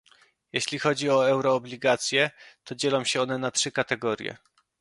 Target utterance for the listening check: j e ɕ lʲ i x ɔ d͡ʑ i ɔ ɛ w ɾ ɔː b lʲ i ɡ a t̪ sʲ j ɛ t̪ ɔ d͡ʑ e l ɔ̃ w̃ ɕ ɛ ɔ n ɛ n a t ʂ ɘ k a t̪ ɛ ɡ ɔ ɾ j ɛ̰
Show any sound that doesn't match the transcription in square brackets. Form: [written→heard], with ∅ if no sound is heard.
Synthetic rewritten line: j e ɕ lʲ i x ɔ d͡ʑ i ɔ ɛ w ɾ ɔː b lʲ i ɡ a t̪ sʲ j ɛ t̪ ɔ d͡ʑ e l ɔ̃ w̃ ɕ ɛ ɔ n ɛ n a t ʂ ɘ k a t̪ ɛ ɡ ɔ ɾ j ɛ̰